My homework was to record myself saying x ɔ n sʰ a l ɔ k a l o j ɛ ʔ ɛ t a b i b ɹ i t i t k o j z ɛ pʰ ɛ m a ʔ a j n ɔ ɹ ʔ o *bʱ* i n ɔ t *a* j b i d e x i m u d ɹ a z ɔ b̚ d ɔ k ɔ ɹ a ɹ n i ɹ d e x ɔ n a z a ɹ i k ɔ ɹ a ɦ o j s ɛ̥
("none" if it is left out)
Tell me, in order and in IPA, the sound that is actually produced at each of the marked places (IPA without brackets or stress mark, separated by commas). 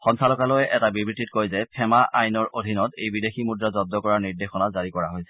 dʱ, e